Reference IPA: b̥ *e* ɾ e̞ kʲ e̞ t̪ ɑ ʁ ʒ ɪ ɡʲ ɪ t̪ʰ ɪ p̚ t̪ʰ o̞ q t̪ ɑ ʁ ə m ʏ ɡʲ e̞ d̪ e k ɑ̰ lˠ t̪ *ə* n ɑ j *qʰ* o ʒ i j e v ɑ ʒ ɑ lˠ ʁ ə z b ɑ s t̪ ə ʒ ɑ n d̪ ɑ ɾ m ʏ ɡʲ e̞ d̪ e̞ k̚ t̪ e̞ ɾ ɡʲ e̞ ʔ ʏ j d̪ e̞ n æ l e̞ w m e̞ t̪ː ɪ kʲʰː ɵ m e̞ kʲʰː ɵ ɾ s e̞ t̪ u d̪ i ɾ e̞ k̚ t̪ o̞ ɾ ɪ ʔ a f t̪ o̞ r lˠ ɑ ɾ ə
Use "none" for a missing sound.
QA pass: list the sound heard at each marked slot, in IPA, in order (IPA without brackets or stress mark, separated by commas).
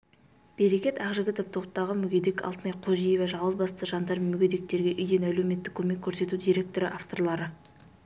e, ə, qʰ